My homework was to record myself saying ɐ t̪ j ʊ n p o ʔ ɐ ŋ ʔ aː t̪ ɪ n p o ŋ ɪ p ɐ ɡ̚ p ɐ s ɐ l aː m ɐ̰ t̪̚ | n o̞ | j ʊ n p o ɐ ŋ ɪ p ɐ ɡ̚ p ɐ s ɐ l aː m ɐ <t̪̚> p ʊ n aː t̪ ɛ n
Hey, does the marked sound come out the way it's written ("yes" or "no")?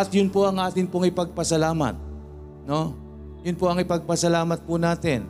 yes